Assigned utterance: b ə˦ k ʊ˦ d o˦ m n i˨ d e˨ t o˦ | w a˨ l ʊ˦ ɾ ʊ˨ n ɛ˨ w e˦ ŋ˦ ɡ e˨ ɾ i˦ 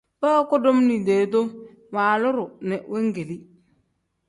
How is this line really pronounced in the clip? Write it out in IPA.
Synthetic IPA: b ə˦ k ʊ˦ d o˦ m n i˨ d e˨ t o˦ | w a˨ l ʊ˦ ɾ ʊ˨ n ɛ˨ w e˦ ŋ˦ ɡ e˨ l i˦